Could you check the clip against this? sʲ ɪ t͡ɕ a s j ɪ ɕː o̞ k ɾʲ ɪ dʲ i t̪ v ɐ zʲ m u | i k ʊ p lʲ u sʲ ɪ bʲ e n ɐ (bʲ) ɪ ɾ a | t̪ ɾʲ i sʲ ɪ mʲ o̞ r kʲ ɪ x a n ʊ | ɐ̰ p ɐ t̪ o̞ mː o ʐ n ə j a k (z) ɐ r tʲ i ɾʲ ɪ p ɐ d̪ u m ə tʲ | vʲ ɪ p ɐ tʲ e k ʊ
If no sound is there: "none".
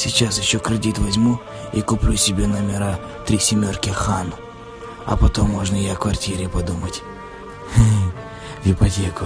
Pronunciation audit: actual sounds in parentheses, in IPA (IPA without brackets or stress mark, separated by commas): mʲ, v